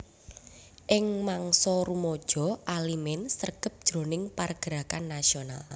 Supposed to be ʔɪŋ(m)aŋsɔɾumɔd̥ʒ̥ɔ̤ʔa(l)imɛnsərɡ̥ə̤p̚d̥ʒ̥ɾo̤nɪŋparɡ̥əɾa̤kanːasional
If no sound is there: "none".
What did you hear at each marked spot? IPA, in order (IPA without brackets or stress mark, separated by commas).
m, l